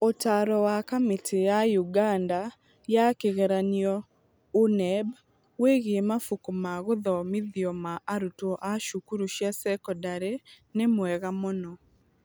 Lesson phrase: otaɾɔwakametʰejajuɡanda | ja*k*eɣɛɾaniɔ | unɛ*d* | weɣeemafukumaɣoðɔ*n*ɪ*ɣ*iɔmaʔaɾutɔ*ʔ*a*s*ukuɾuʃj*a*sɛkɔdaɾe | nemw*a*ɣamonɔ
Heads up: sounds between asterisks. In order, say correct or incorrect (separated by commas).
correct, incorrect, incorrect, incorrect, correct, incorrect, correct, incorrect